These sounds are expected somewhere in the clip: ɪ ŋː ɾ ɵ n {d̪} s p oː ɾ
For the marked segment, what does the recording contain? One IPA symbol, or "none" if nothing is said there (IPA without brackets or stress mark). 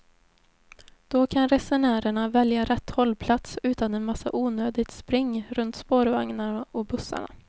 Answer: t̪